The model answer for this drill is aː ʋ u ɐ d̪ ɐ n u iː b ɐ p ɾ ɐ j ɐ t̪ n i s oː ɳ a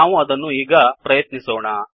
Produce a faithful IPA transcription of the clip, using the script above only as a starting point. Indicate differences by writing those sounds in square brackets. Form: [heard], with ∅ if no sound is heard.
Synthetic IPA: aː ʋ u ɐ d̪ ɐ [nː] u iː [ɡ] ɐ p ɾ ɐ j ɐ t̪ n i s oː ɳ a